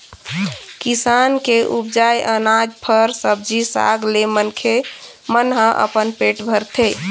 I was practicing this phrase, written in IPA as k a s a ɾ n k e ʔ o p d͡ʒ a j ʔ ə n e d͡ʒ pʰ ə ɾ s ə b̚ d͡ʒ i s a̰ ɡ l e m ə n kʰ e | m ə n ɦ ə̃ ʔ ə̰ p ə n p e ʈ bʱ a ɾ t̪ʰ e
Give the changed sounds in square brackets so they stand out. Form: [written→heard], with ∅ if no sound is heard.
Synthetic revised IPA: k [a→i] s a [ɾ→∅] n k e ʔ [o→u] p d͡ʒ a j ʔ ə n [e→a] d͡ʒ pʰ ə ɾ s ə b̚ d͡ʒ i s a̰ ɡ l e m ə n kʰ e | m ə n ɦ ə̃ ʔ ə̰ p ə n p e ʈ bʱ [a→ə] ɾ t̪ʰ e